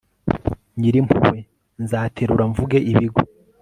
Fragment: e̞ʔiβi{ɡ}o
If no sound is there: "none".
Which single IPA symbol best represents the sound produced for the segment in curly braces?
ɡ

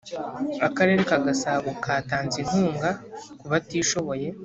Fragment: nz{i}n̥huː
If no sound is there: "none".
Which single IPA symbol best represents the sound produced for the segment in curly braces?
i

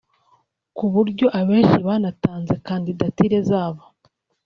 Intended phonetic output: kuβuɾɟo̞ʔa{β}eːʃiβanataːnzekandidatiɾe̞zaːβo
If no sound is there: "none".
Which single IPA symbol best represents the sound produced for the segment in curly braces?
β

